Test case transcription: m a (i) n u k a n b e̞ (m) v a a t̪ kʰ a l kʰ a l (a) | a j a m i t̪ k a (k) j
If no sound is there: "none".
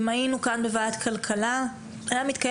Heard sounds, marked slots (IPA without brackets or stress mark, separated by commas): i, none, a, none